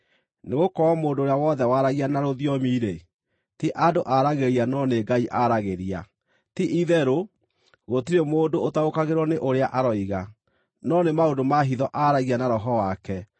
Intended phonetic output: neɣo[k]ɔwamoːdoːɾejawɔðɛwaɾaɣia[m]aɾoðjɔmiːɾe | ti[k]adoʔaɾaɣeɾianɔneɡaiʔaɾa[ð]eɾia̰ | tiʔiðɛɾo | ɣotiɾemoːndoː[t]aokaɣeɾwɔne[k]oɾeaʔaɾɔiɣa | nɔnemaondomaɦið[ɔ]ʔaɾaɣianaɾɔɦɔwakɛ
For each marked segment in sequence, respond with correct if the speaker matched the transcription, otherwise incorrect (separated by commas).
correct, incorrect, incorrect, incorrect, correct, incorrect, correct